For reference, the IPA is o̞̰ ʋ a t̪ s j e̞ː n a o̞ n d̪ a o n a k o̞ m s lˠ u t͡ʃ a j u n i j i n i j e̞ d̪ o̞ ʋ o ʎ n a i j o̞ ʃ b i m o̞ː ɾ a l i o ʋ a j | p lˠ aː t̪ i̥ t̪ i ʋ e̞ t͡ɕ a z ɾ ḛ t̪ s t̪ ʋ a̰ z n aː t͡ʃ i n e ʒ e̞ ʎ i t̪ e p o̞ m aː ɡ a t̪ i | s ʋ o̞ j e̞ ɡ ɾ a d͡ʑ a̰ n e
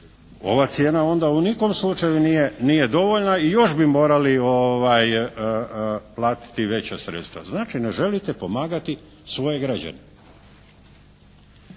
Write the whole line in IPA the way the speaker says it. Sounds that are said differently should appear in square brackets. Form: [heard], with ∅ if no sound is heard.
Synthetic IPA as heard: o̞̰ ʋ a t̪ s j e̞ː n a o̞ n d̪ a [u] n [i] k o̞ m s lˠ u t͡ʃ a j u n i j [e] n i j e̞ d̪ o̞ ʋ o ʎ n a i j o̞ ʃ b i m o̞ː ɾ a l i o ʋ a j | p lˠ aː t̪ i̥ t̪ i ʋ e̞ t͡ɕ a [s] ɾ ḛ t̪ s t̪ ʋ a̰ z n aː t͡ʃ i n e ʒ e̞ [l] i t̪ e p o̞ m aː ɡ a t̪ i | s ʋ o̞ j e̞ ɡ ɾ a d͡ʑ a̰ n e